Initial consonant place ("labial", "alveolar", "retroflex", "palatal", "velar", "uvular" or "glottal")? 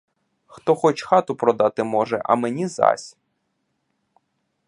velar